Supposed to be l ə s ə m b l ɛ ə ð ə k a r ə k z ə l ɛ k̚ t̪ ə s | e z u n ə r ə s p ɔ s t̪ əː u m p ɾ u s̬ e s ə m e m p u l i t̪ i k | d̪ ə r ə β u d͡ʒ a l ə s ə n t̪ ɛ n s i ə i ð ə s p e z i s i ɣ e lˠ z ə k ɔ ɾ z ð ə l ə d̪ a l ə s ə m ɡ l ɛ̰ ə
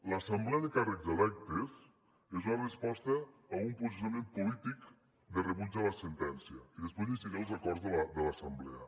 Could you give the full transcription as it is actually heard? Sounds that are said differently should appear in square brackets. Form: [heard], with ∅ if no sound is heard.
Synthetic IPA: l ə s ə m b l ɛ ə ð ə k a r ə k z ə l ɛ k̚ t̪ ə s | e z u n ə r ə s p ɔ s t̪ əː u m p ɾ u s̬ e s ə m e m p u l i t̪ i k | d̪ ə r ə β u d͡ʒ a l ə s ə n t̪ ɛ n s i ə i ð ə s p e z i s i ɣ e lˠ z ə k ɔ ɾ z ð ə l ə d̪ [ə] l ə s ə m [b] l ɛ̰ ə